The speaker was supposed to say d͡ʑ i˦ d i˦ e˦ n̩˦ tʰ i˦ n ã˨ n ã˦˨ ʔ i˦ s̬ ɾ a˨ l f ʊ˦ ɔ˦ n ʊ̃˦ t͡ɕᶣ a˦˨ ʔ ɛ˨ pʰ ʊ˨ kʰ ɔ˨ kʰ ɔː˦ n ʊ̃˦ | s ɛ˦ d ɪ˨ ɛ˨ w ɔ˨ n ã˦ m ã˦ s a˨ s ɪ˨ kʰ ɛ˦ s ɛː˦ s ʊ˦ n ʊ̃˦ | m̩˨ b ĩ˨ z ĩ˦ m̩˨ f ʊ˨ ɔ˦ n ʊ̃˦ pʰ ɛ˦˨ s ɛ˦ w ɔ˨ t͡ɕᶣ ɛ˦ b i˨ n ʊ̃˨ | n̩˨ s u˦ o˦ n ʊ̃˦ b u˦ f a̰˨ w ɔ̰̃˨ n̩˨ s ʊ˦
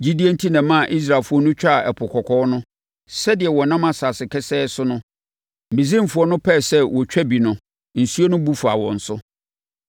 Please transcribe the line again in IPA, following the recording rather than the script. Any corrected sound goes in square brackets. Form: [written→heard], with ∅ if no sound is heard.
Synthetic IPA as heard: d͡ʑ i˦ d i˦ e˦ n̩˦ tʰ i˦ n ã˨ [n→m] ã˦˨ ʔ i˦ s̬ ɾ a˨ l f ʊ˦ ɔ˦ n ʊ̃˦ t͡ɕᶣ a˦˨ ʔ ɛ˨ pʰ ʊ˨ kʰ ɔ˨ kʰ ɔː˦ n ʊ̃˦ | s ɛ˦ d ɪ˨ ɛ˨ w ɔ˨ n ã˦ m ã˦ s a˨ s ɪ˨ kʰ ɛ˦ s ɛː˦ s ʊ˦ n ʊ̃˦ | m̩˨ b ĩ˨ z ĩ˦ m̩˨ f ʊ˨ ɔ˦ n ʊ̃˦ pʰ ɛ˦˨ s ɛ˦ w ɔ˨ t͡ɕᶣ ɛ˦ b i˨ n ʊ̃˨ | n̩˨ s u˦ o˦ n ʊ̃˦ b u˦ f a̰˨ w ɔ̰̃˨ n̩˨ s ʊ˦